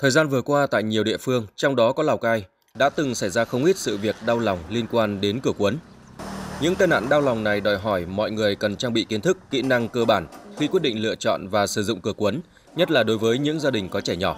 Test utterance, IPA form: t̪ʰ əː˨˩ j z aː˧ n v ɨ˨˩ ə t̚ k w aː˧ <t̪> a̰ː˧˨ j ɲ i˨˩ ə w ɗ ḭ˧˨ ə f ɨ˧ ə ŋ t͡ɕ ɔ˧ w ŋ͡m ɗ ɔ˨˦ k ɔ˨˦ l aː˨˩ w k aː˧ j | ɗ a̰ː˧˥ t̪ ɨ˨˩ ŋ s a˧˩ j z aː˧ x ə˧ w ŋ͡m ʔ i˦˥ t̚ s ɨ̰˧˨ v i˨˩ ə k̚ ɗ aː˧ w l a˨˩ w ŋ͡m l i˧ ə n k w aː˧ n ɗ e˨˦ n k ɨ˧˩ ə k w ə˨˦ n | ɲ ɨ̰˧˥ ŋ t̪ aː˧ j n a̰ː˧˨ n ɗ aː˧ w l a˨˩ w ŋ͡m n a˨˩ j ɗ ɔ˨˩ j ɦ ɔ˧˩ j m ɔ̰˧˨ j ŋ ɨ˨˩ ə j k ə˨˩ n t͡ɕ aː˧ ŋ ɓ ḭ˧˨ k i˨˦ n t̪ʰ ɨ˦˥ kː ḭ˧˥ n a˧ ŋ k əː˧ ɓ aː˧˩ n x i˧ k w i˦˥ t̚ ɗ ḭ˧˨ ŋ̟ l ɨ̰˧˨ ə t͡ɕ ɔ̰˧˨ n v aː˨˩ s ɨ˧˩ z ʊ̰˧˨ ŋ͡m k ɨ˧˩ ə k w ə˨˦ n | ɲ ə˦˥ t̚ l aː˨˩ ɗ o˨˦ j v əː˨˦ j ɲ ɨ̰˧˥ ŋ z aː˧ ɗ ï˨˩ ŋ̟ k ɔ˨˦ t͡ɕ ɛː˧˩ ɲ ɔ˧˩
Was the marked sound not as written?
no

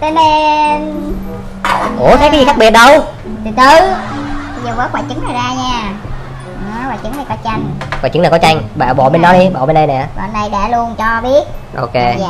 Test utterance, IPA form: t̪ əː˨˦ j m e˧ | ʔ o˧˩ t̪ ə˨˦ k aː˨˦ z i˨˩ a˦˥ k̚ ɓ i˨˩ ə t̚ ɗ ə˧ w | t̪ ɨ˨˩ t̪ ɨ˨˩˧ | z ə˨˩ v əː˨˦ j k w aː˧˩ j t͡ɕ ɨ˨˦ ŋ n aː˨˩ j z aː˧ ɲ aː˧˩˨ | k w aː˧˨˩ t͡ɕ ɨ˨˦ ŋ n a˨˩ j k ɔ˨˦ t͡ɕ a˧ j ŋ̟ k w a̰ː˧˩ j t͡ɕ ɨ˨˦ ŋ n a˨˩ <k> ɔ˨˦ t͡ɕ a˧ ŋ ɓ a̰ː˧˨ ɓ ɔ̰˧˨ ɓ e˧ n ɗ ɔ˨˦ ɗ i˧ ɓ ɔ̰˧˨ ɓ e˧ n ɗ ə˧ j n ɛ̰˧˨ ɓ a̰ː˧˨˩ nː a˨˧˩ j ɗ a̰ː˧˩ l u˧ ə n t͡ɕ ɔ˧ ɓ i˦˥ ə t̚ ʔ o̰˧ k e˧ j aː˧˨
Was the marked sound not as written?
no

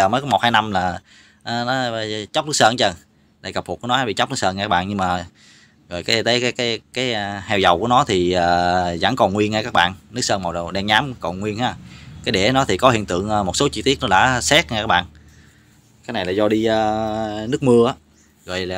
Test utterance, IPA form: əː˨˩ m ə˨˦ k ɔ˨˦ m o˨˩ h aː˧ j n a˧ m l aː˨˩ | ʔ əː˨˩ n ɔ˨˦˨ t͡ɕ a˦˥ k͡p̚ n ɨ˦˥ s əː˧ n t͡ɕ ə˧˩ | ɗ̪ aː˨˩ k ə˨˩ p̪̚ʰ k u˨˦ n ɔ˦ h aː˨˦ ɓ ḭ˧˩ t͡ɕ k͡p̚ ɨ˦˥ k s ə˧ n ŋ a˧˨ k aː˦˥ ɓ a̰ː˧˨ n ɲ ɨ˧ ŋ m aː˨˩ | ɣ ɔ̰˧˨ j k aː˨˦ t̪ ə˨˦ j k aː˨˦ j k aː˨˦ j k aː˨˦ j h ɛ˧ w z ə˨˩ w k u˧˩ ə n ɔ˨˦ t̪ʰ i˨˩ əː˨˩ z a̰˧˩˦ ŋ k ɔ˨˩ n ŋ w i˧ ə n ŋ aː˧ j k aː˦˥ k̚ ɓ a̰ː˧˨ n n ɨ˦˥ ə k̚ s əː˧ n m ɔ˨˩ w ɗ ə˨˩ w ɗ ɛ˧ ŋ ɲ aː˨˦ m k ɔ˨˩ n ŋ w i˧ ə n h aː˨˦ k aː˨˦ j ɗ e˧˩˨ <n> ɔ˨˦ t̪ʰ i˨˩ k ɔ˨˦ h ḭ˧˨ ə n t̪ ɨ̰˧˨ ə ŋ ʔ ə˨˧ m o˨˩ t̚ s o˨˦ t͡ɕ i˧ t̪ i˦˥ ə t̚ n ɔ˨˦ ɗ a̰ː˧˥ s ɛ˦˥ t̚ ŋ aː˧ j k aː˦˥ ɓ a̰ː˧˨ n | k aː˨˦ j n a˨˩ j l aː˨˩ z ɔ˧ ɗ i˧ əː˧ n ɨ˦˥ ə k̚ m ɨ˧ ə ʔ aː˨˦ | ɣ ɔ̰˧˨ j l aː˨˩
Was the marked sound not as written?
no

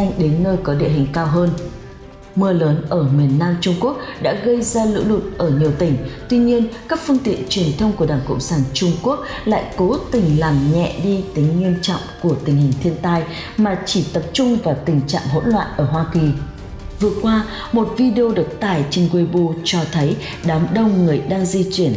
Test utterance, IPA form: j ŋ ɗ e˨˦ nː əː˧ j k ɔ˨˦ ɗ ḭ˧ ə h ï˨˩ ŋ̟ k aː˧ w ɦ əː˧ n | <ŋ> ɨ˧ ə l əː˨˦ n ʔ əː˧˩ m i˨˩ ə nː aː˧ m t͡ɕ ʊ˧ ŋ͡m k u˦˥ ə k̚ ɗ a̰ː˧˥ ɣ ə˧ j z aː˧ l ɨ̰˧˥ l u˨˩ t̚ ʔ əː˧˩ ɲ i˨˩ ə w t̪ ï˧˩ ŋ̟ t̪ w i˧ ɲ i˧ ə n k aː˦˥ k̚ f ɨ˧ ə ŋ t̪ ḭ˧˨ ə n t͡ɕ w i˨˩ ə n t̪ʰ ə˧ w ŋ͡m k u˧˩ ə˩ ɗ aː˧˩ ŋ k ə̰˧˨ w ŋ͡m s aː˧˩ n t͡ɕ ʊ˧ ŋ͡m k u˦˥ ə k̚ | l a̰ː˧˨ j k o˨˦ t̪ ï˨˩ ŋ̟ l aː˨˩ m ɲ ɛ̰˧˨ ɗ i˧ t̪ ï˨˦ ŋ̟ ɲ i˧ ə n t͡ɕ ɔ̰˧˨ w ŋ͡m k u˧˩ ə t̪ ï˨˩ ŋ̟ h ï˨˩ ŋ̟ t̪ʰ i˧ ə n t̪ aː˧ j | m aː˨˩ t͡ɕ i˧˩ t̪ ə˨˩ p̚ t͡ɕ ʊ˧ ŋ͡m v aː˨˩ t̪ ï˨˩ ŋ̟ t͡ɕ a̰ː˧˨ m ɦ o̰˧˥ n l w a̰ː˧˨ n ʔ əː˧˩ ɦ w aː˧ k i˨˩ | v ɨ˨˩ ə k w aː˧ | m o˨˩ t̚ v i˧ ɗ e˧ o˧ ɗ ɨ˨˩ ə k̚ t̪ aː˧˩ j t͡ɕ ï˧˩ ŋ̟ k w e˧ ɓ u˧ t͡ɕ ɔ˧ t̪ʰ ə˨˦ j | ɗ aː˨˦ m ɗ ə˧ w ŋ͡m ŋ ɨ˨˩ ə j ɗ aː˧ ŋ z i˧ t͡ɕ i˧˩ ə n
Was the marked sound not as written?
yes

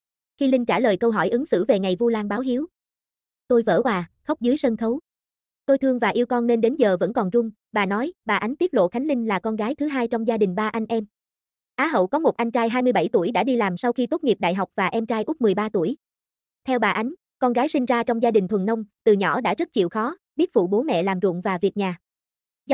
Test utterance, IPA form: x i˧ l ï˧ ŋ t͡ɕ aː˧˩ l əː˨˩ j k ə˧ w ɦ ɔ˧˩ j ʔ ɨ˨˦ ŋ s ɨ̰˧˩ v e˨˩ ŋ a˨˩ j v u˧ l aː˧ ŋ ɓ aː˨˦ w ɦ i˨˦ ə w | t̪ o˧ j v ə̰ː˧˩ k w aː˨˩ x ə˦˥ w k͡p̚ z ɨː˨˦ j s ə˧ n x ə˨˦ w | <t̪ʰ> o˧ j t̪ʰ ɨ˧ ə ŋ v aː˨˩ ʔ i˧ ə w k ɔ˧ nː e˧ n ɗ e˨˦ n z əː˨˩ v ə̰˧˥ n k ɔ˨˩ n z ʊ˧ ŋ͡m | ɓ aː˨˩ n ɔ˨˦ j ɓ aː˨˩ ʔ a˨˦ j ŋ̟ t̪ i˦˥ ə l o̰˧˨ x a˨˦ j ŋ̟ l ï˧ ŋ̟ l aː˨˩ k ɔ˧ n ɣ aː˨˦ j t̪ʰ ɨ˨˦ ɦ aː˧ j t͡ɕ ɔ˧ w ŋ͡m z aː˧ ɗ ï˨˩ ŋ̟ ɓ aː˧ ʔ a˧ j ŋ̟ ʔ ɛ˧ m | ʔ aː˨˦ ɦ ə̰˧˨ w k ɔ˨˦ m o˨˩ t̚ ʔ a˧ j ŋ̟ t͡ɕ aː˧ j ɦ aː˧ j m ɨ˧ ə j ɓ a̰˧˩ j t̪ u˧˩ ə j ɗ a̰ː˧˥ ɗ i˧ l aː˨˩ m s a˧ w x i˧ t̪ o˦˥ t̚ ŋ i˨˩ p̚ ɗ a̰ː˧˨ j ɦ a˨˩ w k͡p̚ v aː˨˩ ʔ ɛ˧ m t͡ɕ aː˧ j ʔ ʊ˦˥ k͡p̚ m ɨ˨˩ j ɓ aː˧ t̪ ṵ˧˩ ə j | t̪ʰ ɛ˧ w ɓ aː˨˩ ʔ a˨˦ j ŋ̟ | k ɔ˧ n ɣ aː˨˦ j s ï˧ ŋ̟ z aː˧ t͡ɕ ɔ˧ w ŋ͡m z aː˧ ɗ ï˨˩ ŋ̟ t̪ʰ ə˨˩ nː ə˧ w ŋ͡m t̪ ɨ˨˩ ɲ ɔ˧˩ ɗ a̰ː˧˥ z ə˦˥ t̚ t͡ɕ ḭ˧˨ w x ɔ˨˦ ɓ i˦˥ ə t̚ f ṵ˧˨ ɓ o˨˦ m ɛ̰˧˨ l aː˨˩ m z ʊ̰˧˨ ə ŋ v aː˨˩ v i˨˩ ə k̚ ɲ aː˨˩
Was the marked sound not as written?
yes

